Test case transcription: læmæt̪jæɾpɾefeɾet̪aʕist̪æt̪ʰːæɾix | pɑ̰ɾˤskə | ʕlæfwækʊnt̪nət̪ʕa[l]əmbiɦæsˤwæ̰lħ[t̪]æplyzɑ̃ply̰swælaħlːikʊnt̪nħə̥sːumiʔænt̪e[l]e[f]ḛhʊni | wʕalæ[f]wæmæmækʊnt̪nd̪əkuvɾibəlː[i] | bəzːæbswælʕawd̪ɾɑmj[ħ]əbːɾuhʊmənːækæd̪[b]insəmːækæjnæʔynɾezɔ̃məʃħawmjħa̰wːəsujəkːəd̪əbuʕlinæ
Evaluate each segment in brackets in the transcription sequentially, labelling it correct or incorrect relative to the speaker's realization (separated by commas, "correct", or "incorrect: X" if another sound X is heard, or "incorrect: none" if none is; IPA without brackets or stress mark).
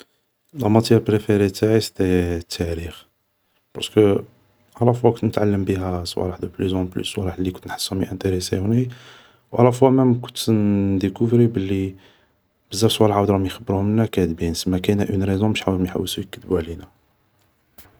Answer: incorrect: lː, incorrect: d̪, incorrect: ɾ, incorrect: s, correct, correct, incorrect: x, correct